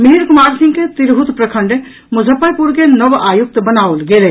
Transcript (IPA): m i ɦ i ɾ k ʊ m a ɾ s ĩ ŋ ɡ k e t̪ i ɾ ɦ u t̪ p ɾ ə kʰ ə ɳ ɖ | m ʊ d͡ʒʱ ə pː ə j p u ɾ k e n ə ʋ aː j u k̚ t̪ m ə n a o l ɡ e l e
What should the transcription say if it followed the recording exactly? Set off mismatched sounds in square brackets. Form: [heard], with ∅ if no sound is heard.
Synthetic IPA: m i ɦ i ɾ k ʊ m a ɾ s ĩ ŋ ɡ k e t̪ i ɾ ɦ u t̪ p ɾ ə kʰ ə ɳ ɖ | m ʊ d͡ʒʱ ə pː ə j p u ɾ k e n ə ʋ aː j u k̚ t̪ [b] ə n a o l ɡ e l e

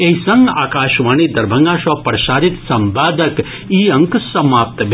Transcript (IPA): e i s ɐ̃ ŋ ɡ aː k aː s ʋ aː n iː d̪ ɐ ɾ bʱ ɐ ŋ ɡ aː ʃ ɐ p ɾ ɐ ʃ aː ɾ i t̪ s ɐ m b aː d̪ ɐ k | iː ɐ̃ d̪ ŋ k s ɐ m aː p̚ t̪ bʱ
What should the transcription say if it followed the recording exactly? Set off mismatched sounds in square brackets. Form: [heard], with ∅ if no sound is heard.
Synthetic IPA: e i s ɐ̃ ŋ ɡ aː k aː [ʃ] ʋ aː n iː d̪ ɐ ɾ bʱ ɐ ŋ ɡ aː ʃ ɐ p ɾ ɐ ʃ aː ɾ i t̪ s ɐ m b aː d̪ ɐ k | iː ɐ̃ [∅] ŋ k s ɐ m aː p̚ t̪ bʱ

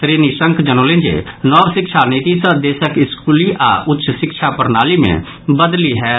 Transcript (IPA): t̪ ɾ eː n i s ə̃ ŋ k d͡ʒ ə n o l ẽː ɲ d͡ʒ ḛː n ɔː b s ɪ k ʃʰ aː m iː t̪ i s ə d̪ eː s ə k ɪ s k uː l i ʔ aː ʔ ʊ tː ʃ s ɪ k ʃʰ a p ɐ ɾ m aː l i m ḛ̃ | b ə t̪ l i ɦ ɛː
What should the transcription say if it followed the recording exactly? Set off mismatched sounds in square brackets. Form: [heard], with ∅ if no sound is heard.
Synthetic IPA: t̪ ɾ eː n i s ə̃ ŋ k d͡ʒ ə n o l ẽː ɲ d͡ʒ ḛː n ɔː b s ɪ k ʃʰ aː [n] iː t̪ i s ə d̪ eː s ə k ɪ s k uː l i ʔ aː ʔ ʊ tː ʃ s ɪ k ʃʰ a p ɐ ɾ [n] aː l i m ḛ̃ | b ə [d̪] l i ɦ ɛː

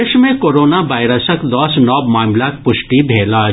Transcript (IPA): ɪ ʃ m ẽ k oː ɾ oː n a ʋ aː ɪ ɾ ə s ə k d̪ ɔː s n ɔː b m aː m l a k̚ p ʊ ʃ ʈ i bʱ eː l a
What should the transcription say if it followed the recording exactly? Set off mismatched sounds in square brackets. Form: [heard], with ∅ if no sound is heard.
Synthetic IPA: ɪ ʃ m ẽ k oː ɾ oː n a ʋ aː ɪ ɾ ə s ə k d̪ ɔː s n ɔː b m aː m l a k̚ p ʊ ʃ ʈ i bʱ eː l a

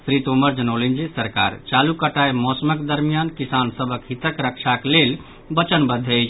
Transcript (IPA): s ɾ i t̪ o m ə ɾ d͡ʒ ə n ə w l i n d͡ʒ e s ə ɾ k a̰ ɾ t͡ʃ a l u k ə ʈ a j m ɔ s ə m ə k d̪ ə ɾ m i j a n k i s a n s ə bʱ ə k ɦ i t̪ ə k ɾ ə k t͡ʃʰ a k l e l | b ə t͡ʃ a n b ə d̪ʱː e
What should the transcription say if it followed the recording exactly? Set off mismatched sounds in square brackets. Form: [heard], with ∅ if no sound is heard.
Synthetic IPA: s ɾ i t̪ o m ə ɾ d͡ʒ ə n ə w l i n d͡ʒ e s ə ɾ k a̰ ɾ t͡ʃ a l u k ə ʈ a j m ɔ s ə m ə k d̪ ə ɾ m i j a n k i s a n s ə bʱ ə k ɦ i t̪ ə k ɾ ə k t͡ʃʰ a k l e l | b ə t͡ʃ [ə] n b ə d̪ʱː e

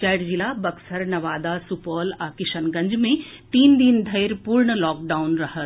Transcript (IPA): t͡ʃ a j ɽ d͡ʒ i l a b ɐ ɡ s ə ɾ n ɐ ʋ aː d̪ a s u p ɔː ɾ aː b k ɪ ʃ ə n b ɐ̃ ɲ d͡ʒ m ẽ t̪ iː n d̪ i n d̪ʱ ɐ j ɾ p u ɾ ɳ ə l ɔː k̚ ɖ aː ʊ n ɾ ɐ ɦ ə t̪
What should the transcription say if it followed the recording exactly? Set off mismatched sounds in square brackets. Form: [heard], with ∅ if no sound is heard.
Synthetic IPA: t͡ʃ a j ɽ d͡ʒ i l a b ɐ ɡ s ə ɾ n ɐ ʋ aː d̪ a s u p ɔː [l] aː [∅] k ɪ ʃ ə n [ɡ] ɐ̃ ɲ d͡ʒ m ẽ t̪ iː n d̪ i n d̪ʱ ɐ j ɾ p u ɾ ɳ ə l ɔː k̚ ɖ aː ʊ n ɾ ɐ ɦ ə t̪

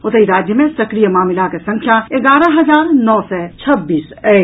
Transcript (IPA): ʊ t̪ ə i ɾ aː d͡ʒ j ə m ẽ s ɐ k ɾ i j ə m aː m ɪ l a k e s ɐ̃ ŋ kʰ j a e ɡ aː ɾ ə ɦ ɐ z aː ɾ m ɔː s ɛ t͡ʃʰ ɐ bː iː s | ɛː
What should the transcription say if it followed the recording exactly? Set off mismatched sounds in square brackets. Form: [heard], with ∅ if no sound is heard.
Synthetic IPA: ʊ t̪ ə i ɾ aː d͡ʒ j ə m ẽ s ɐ k ɾ i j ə m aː m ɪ l a k e s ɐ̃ ŋ kʰ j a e ɡ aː ɾ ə ɦ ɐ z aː ɾ [n] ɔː s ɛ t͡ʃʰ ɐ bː iː s | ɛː

